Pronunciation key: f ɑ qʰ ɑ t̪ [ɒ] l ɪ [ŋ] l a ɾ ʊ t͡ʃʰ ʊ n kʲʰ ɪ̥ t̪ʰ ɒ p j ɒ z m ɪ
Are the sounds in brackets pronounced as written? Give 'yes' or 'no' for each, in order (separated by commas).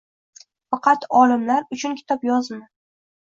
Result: yes, no